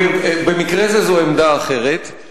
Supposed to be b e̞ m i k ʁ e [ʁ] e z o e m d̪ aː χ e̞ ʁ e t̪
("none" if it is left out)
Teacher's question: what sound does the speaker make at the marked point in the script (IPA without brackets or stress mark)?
z